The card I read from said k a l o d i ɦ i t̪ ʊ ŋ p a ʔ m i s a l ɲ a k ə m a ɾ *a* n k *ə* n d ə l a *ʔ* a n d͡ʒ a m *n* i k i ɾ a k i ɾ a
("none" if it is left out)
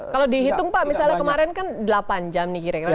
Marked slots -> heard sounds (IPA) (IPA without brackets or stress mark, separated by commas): ɛ, a, p, n